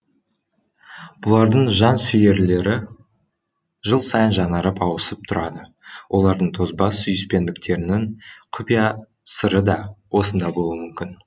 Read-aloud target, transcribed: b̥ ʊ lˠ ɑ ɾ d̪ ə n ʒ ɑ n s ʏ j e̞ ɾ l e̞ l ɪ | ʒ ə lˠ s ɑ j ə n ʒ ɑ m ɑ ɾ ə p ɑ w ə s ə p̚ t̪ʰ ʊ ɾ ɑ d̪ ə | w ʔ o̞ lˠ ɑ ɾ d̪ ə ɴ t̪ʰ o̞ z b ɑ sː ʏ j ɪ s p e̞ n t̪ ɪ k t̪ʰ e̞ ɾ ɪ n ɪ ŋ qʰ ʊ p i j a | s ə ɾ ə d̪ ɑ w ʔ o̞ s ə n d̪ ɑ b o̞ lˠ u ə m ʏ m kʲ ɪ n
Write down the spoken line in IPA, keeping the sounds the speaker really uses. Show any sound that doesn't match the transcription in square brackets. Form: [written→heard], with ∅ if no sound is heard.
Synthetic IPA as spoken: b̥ ʊ lˠ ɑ ɾ d̪ ə [n→ɴ] ʒ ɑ n s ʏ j e̞ ɾ l e̞ [l→ɾ] ɪ | ʒ ə lˠ s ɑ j ə n ʒ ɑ [m→n] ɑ ɾ ə p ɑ w ə s ə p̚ t̪ʰ ʊ ɾ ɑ d̪ ə | w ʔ o̞ lˠ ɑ ɾ d̪ ə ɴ t̪ʰ o̞ z b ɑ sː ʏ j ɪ s p e̞ n [t̪→d̪] ɪ k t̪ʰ e̞ ɾ ɪ n ɪ ŋ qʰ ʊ p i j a | s ə ɾ ə d̪ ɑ w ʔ o̞ s ə n d̪ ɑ b o̞ lˠ u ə m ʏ m kʲ ɪ n